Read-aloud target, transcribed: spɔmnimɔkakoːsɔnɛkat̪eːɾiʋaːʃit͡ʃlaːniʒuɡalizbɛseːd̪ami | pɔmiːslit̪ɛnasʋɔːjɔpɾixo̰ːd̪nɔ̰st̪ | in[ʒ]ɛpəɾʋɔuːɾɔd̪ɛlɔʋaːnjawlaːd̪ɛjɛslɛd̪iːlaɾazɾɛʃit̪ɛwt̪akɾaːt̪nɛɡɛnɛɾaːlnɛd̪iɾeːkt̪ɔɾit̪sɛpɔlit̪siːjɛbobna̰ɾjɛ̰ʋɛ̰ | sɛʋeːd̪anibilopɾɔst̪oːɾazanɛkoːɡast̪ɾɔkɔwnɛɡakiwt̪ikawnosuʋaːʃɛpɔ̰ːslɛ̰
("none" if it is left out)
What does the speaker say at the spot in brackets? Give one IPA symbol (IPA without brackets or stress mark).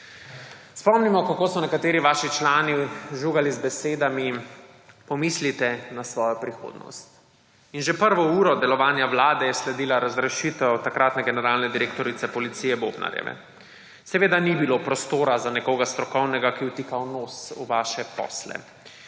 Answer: ʒ